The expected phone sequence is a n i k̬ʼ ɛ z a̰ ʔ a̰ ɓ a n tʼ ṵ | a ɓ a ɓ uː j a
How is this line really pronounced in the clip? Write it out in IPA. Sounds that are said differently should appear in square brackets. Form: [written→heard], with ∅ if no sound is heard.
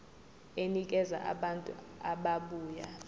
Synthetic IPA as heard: [a→e] n i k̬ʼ ɛ z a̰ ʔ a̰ ɓ a n tʼ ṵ | a ɓ a ɓ uː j a